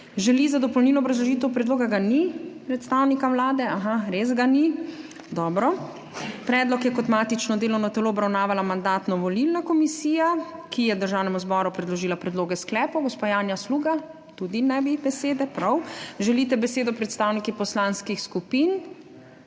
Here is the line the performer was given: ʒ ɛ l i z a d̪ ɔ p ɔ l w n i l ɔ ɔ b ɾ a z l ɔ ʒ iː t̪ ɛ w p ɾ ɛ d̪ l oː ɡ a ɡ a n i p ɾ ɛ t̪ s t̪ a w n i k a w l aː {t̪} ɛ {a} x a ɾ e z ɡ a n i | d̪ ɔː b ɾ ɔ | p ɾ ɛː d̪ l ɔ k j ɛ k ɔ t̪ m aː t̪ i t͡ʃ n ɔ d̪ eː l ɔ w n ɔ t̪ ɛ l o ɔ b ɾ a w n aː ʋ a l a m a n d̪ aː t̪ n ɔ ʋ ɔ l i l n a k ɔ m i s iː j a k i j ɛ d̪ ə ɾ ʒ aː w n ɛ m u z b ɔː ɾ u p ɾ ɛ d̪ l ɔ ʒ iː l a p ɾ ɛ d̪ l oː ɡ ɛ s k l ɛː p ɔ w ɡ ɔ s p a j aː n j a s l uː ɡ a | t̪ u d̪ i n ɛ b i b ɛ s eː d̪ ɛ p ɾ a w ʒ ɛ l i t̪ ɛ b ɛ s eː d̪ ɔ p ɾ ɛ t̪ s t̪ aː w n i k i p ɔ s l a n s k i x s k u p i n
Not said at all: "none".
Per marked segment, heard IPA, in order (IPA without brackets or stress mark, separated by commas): d̪, a